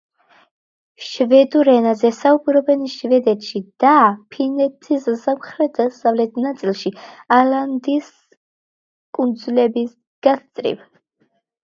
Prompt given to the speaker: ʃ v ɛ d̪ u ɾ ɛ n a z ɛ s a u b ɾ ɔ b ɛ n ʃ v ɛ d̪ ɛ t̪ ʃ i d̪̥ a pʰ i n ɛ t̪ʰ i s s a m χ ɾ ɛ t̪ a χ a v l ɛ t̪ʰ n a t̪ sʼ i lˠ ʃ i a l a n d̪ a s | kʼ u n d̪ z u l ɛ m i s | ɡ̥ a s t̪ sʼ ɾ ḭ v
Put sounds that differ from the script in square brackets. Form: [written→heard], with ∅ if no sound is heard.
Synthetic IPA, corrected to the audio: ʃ v ɛ d̪ u ɾ ɛ n a z ɛ s a u b ɾ ɔ b ɛ n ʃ v ɛ d̪ ɛ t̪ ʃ i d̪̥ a pʰ i n ɛ t̪ʰ i s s a m χ ɾ ɛ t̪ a [χ→s] a v l ɛ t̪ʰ n a t̪ sʼ i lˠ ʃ i a l a n d̪ [a→i] s | kʼ u n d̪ z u l ɛ [m→b] i s | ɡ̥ a s t̪ sʼ ɾ ḭ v

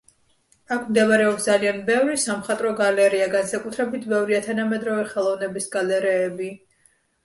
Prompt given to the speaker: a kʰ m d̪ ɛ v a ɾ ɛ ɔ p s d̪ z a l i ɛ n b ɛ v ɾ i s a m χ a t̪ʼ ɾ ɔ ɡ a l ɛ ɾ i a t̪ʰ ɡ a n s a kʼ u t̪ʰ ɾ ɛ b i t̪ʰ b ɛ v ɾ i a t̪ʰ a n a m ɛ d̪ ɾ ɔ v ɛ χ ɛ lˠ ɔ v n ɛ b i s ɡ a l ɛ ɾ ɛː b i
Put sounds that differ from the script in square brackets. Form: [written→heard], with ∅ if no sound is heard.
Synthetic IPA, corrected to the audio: a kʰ m d̪ ɛ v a ɾ ɛ ɔ p s d̪ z a l i [ɛ→a] n b ɛ v ɾ i s a m χ a t̪ʼ ɾ ɔ ɡ a l ɛ ɾ i a [t̪ʰ→∅] ɡ a n s a kʼ u t̪ʰ ɾ ɛ b i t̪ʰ b ɛ v ɾ i a t̪ʰ a n a m ɛ d̪ ɾ ɔ v ɛ χ ɛ lˠ ɔ v n ɛ b i s ɡ a l ɛ ɾ ɛː b i

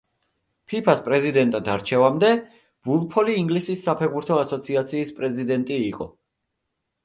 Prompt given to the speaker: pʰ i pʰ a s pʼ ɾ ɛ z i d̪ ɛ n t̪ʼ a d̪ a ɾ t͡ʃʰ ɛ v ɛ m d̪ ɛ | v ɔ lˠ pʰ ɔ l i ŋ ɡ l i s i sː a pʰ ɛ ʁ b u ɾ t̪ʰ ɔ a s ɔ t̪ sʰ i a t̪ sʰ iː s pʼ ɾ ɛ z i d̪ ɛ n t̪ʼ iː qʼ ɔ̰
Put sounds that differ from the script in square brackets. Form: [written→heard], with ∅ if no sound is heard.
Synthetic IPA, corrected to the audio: pʰ i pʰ a s pʼ ɾ ɛ z i d̪ ɛ n t̪ʼ a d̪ a ɾ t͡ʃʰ ɛ v [ɛ→a] m d̪ ɛ | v [ɔ→u] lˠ pʰ ɔ l [i→iː] ŋ ɡ l i s i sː a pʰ ɛ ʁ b u ɾ t̪ʰ ɔ a s ɔ t̪ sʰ i a t̪ sʰ iː s pʼ ɾ ɛ z i d̪ ɛ n t̪ʼ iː qʼ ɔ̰

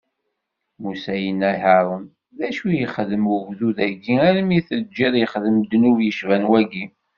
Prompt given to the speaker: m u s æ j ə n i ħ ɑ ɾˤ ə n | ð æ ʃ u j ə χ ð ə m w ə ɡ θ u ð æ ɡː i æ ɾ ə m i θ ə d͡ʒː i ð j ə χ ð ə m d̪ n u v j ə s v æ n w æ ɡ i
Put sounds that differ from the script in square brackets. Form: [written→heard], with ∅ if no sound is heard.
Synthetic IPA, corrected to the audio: m u s æ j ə n [i→æ] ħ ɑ ɾˤ ə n | ð æ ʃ u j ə χ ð ə m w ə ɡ [θ→ð] u ð æ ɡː i æ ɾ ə m i θ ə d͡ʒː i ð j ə χ ð ə m d̪ n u v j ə [s→ʃ] v æ n w æ ɡ i

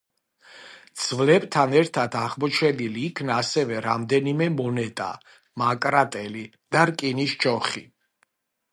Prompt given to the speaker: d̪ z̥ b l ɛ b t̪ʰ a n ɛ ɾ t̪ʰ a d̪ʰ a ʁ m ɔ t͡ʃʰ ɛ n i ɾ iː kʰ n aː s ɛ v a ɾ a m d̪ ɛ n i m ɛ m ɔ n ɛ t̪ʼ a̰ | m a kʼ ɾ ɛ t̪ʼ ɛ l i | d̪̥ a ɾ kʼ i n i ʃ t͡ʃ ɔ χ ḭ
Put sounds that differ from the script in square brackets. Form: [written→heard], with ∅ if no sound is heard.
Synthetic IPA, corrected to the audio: d̪ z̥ [b→v] l ɛ b t̪ʰ a n ɛ ɾ t̪ʰ a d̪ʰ a ʁ m ɔ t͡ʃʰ ɛ n i [ɾ→l] iː kʰ n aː s ɛ v [a→ɛ] ɾ a m d̪ ɛ n i m ɛ m ɔ n ɛ t̪ʼ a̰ | m a kʼ ɾ [ɛ→a] t̪ʼ ɛ l i | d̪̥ a ɾ kʼ i n i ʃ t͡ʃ ɔ χ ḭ

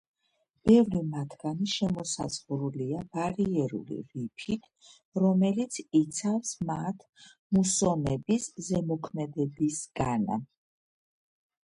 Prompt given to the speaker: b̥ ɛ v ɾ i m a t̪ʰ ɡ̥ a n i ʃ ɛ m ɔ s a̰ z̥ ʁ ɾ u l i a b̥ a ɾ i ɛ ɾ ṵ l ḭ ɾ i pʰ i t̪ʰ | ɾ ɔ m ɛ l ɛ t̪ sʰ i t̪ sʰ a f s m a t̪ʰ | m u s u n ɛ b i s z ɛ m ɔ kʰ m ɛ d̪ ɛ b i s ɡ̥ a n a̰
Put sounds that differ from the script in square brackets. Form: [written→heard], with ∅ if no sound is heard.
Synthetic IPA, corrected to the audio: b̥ ɛ v ɾ i m a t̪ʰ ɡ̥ a n i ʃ ɛ m ɔ s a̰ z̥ ʁ ɾ u l i a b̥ a ɾ i ɛ ɾ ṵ l ḭ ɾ i pʰ i t̪ʰ | ɾ ɔ m ɛ l [ɛ→i] t̪ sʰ i t̪ sʰ a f s m a t̪ʰ | m u s [u→ɔ] n ɛ b i s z ɛ m ɔ kʰ m ɛ d̪ ɛ b i s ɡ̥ a n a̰

